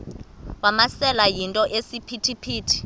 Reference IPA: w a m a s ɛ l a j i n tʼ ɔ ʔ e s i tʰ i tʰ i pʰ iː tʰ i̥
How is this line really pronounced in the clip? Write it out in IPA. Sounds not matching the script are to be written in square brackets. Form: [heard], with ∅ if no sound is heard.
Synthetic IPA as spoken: w a m a s ɛ l a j i n tʼ ɔ ʔ e s i [pʰ] i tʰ i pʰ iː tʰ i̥